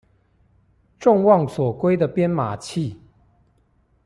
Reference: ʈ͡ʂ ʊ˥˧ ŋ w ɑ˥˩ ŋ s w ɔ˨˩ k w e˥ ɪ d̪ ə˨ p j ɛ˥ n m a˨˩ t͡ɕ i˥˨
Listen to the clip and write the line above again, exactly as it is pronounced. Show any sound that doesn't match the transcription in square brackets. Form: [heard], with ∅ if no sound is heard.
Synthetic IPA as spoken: ʈ͡ʂ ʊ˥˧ ŋ w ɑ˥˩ ŋ s w ɔ˨˩ k w e˥ ɪ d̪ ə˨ p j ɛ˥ n m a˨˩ [t͡ɕʰ] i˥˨